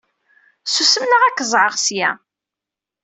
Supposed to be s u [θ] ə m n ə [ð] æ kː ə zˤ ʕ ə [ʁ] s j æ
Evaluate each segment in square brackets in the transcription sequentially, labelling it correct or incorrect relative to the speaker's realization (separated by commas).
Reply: incorrect, incorrect, correct